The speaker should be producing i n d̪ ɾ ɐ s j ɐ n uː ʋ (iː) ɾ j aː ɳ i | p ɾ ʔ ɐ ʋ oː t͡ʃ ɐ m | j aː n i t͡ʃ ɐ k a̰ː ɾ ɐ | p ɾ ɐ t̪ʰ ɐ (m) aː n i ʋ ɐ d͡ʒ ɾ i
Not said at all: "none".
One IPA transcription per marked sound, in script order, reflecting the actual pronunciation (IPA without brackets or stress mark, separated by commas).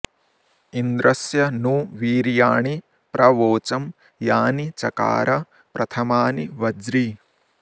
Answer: iː, m